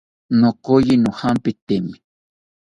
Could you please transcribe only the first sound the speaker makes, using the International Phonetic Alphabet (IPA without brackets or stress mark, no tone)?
n